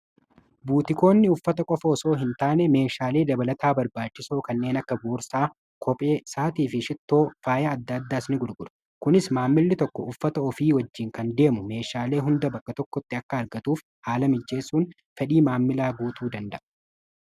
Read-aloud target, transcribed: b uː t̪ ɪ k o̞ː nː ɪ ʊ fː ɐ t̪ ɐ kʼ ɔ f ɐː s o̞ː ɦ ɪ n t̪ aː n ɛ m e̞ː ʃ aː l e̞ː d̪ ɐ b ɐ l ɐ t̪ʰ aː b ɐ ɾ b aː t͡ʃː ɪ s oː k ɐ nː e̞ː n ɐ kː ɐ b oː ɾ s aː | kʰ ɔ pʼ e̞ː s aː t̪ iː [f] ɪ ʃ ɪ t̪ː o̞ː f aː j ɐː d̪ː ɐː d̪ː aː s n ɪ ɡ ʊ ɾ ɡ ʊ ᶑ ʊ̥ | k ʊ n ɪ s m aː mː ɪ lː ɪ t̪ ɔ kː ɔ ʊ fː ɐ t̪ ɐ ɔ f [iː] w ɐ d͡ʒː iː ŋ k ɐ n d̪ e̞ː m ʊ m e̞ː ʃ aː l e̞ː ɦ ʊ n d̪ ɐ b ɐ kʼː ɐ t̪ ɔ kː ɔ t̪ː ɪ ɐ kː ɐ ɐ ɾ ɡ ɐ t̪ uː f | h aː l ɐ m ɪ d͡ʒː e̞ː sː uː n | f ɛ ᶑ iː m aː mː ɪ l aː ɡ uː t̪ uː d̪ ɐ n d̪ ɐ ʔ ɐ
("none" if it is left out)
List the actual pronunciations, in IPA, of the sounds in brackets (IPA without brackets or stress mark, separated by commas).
f, iː